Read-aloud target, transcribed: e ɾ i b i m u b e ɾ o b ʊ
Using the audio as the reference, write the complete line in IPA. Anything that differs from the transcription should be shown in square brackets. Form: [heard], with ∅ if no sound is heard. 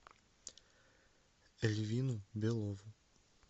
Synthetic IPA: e [l] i [v] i [n] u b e [l] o [v] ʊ